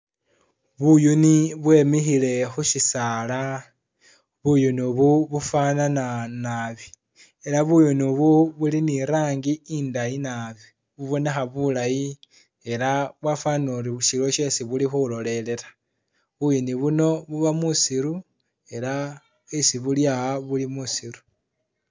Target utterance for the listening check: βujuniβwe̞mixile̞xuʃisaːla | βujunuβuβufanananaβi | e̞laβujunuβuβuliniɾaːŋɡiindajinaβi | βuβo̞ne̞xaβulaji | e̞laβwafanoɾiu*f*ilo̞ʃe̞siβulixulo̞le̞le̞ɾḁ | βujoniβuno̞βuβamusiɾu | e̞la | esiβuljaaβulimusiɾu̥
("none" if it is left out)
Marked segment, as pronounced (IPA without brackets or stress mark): ʃ